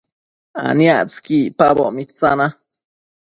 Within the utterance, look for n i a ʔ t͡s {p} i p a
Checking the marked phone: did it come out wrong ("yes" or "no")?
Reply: yes